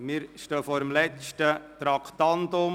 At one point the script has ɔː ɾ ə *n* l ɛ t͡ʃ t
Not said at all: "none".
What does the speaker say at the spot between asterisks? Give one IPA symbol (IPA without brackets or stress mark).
m